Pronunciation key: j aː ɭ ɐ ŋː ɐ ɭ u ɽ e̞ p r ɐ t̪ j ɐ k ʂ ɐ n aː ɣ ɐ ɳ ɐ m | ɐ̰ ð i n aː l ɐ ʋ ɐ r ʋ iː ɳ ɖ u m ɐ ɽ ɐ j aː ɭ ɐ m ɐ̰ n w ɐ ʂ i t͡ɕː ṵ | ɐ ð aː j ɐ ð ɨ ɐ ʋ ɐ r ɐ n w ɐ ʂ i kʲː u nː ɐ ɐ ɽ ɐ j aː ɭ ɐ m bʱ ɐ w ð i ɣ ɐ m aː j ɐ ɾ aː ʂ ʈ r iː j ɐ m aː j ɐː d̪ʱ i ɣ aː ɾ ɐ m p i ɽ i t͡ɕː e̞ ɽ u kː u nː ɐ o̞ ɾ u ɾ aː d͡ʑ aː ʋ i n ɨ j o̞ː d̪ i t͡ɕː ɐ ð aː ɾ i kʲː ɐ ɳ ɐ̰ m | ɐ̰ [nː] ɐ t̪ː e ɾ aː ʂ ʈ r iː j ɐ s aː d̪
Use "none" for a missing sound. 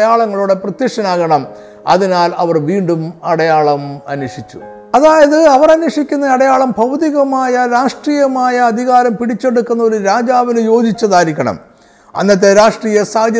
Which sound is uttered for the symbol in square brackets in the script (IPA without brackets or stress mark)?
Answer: nː